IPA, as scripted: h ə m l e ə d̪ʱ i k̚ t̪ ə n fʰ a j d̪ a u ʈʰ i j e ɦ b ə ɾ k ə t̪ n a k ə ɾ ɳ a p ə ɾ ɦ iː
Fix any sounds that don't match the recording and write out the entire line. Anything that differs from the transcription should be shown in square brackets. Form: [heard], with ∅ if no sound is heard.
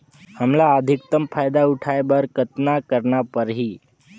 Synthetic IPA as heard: h ə m l [a] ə d̪ʱ i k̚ t̪ ə [m] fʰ a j d̪ a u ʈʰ [a] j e [∅] b ə ɾ k ə t̪ n a k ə ɾ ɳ a p ə ɾ ɦ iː